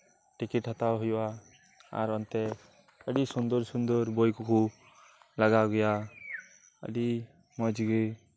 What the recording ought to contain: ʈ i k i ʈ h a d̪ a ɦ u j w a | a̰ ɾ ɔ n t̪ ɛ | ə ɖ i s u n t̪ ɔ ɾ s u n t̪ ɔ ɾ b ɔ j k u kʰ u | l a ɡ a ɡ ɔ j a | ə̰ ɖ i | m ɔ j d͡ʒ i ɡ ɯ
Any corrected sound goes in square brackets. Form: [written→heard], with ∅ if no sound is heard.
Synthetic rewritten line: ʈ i k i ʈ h a [d̪→t̪] a ɦ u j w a | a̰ ɾ ɔ n t̪ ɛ | ə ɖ i s u n [t̪→d̪] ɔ ɾ s u n [t̪→d̪] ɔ ɾ b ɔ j k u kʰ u | l a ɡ a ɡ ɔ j a | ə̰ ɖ i | m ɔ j d͡ʒ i ɡ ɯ